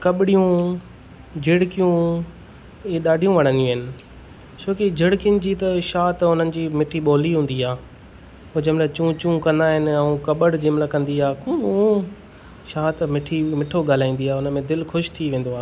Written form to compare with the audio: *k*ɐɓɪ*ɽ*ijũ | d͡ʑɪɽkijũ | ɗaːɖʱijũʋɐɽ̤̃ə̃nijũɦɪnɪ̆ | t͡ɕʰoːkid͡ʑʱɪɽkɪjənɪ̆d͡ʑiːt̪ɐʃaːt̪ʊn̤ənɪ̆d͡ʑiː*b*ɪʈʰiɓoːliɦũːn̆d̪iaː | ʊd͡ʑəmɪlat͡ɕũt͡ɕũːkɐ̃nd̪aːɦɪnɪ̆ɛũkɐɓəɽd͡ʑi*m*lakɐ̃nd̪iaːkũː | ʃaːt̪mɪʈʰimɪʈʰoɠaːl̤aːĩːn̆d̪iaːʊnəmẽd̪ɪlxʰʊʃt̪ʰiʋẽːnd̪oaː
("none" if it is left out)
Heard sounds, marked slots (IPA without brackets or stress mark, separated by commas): k, ɽ, m, m